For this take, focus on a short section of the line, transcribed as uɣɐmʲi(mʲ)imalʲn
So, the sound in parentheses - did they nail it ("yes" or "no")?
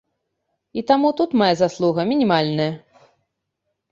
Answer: no